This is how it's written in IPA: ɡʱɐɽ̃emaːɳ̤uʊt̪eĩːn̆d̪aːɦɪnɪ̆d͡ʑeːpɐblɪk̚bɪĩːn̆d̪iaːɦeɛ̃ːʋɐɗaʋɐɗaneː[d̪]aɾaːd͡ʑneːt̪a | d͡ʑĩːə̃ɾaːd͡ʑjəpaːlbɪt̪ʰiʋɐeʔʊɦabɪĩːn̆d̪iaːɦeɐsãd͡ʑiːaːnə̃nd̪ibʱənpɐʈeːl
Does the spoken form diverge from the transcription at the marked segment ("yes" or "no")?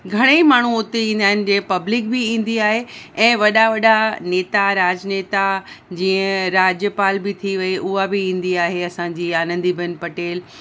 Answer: yes